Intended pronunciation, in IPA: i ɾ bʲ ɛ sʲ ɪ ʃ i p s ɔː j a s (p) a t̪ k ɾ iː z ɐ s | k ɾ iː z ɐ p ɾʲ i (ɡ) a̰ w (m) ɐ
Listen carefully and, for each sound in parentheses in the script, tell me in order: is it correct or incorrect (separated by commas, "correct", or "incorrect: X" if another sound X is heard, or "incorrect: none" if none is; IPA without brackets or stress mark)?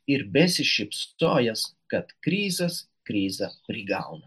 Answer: incorrect: k, correct, incorrect: n